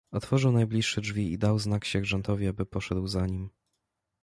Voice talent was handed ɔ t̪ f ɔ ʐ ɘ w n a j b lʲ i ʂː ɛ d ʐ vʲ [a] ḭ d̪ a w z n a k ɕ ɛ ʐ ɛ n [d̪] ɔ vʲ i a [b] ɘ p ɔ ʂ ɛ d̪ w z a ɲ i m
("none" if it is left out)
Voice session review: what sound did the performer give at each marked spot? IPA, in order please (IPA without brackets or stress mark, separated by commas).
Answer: i, t̪, b